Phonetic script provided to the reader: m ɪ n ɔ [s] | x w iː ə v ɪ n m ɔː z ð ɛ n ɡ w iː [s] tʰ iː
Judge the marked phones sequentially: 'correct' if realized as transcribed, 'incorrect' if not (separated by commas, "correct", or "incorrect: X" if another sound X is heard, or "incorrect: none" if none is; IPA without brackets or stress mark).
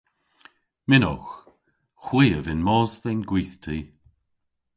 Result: incorrect: x, incorrect: θ